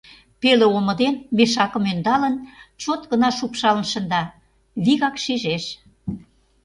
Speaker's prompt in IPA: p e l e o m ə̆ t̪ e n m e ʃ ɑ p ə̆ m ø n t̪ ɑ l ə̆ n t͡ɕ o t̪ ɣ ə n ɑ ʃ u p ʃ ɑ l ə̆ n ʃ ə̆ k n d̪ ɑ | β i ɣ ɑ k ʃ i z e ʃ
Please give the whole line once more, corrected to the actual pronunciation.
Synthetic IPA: p e l e o m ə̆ d̪ e n m e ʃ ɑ k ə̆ m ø n d̪ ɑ l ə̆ n t͡ɕ o t̪ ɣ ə n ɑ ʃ u p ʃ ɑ l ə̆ n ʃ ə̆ n d̪ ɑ | β i ɣ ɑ k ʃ i ʒ e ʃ